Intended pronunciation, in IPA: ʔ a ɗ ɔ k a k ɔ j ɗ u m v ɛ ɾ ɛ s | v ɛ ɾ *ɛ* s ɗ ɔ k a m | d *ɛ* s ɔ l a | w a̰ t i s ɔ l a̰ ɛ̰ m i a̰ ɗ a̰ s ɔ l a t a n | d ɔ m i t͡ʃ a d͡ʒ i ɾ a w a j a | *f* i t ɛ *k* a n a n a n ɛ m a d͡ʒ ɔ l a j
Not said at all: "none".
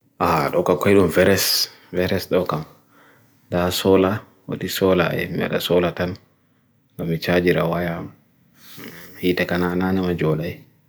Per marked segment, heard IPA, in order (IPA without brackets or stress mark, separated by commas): ɛ, a, h, k